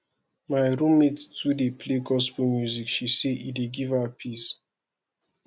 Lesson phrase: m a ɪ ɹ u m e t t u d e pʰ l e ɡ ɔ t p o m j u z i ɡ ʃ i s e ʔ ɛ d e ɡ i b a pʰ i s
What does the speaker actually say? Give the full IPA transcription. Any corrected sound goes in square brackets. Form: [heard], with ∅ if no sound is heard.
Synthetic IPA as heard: m a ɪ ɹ u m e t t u d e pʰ l e ɡ ɔ [s] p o m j u z i [k] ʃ i s e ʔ [i] d e ɡ i [v] a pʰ i s